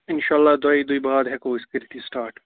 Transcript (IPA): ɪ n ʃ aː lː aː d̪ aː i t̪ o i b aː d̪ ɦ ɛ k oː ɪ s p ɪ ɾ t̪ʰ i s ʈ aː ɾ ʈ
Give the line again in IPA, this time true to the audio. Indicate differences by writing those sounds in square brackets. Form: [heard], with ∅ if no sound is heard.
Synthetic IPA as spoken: ɪ n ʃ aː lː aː d̪ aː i [d̪] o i b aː d̪ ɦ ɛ k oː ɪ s [k] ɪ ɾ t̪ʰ i s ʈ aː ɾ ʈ